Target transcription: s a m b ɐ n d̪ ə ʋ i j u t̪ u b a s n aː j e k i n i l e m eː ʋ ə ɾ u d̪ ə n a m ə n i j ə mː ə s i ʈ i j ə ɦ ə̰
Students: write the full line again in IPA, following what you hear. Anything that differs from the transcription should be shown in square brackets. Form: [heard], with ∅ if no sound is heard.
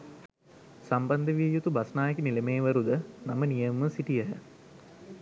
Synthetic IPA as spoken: s a m b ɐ n d̪ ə ʋ i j u t̪ u b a s n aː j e k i n i l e m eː ʋ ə ɾ u d̪ ə n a m ə n i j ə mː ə s i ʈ i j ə ɦ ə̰